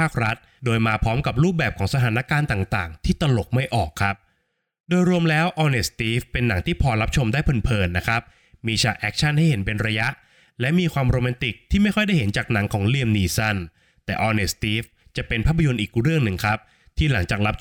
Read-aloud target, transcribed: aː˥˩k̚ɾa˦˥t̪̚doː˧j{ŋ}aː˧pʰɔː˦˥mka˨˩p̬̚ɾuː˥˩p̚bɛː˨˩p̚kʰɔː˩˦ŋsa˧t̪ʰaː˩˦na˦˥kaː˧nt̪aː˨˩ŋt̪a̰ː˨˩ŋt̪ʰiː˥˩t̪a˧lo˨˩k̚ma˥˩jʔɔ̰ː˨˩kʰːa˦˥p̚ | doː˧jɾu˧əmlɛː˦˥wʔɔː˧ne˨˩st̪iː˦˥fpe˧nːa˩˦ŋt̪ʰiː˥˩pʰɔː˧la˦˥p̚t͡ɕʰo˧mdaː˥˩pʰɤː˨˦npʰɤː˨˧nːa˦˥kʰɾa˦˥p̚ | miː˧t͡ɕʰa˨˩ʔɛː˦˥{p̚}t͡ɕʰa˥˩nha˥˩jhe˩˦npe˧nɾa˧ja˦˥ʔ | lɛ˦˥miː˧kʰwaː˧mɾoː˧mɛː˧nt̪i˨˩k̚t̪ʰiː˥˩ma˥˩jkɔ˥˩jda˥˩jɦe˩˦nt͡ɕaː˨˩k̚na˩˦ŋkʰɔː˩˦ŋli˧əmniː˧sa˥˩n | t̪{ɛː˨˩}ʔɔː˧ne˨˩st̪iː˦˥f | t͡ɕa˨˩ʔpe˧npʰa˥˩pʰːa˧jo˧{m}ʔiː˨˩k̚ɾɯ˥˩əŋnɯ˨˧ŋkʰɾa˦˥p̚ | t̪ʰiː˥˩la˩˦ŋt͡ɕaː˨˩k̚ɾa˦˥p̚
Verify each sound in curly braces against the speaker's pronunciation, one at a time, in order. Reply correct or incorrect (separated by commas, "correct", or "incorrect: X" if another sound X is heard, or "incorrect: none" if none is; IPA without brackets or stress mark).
incorrect: m, incorrect: k̚, correct, incorrect: n